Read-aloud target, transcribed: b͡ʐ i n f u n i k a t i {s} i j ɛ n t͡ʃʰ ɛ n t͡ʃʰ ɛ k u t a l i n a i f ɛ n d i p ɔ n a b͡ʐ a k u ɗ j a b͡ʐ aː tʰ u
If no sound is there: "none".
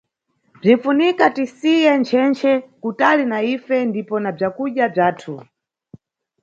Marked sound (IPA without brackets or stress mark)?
s